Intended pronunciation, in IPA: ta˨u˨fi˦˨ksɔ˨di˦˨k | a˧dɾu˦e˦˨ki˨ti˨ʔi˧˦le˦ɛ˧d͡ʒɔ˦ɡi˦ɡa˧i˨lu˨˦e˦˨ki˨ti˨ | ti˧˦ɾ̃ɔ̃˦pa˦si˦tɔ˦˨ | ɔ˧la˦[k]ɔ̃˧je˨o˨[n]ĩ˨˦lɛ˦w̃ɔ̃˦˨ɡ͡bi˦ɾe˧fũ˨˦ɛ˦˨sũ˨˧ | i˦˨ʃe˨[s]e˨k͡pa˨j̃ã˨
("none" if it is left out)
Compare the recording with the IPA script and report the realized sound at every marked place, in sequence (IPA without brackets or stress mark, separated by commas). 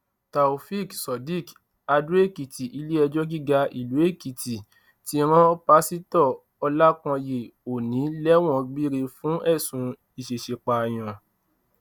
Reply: k, n, ʃ